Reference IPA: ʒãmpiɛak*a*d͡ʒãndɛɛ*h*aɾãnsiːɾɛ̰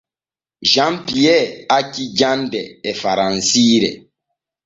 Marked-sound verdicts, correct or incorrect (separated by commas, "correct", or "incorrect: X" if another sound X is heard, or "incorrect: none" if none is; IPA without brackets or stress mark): incorrect: i, incorrect: f